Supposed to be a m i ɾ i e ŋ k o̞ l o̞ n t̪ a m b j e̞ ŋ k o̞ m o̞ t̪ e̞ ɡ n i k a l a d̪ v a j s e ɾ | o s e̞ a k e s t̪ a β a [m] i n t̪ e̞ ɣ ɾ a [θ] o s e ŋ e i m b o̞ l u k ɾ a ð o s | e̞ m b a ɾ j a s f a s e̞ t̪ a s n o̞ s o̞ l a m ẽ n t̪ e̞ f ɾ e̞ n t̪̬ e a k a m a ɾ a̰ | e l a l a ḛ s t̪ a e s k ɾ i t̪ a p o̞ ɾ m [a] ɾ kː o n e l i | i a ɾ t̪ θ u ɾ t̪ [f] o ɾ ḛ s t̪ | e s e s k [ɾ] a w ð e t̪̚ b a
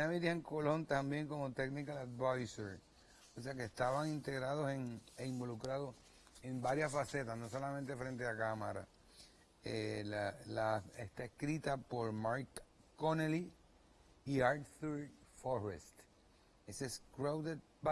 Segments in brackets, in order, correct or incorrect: incorrect, incorrect, correct, correct, correct

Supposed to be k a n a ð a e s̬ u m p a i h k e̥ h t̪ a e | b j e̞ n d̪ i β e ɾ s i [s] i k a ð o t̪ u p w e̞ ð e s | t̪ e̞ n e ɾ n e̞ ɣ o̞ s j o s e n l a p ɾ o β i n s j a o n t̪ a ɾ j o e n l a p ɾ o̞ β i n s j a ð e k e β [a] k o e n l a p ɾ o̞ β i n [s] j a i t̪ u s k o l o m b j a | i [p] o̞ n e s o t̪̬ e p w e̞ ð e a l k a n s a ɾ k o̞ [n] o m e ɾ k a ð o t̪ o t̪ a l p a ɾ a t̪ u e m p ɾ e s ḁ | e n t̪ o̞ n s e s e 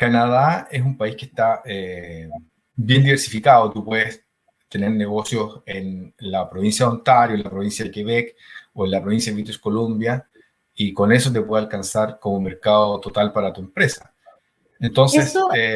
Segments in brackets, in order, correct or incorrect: incorrect, incorrect, correct, incorrect, incorrect

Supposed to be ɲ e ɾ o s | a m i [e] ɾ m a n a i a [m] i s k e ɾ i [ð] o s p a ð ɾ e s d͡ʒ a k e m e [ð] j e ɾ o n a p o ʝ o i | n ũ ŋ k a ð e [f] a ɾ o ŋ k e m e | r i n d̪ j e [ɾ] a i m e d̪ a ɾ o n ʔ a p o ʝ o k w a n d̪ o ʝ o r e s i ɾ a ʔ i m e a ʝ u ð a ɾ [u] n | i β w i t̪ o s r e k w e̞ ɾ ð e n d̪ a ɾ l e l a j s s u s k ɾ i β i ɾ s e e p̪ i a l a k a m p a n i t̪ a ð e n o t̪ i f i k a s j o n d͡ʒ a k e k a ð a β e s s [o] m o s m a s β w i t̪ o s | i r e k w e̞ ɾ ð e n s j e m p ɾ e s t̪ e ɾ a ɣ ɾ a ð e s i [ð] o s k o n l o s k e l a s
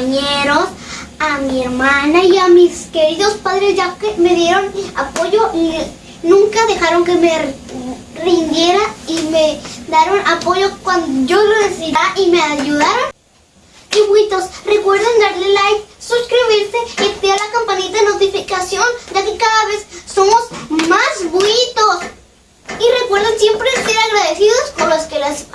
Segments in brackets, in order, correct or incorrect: correct, correct, correct, correct, incorrect, correct, incorrect, correct, correct

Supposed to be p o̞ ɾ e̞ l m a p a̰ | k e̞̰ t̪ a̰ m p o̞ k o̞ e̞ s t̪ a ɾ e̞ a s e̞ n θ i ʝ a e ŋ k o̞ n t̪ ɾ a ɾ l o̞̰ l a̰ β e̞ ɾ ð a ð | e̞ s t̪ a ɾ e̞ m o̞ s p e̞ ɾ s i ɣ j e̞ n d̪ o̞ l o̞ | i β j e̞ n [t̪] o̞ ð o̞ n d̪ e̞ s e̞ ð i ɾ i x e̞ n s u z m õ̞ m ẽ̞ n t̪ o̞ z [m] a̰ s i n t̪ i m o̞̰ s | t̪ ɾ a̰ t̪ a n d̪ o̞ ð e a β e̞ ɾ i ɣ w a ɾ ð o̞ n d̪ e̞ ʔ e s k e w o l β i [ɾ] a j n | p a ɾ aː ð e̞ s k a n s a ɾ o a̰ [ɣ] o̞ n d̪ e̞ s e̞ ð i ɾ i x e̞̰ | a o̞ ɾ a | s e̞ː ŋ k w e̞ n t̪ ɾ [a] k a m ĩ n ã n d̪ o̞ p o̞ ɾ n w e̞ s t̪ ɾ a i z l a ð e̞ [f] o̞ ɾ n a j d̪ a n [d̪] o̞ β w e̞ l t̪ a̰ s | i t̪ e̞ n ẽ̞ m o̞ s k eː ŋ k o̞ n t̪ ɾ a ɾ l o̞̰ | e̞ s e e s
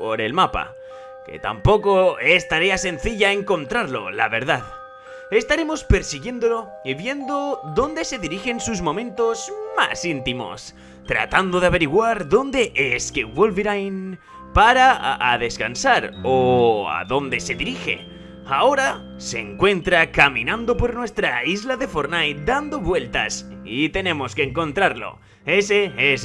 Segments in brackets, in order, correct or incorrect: incorrect, correct, correct, incorrect, correct, correct, correct

